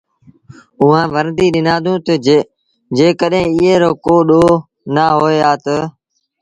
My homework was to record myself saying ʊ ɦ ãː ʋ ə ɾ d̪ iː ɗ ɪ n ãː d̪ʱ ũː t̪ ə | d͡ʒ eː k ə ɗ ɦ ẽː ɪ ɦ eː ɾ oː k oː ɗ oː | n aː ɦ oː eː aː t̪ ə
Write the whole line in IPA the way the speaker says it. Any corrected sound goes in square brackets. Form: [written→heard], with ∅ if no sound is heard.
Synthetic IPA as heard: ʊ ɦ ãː ʋ ə ɾ d̪ iː ɗ ɪ n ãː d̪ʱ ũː t̪ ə | d͡ʒ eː k ə ɗ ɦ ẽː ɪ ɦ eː ɾ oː k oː ɗ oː | n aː ɦ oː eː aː t̪ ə